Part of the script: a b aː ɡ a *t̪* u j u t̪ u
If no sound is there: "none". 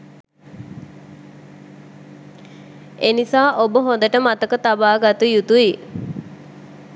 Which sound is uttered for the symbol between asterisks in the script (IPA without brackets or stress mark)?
t̪